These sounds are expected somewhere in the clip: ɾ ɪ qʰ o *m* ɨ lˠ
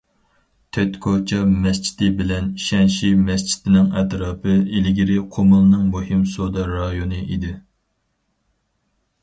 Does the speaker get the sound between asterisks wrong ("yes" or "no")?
no